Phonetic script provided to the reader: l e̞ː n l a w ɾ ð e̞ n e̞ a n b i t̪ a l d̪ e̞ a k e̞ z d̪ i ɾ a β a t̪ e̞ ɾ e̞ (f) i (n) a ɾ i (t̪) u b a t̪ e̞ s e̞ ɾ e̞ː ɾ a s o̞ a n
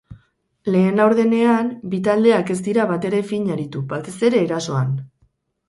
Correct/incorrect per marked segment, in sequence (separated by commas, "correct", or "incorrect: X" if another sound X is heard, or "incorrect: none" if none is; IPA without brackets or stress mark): correct, incorrect: ɲ, correct